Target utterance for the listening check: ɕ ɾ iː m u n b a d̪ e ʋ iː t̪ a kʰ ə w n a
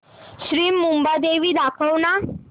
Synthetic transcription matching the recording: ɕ ɾ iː m u m b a d̪ e ʋ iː d̪ a kʰ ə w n a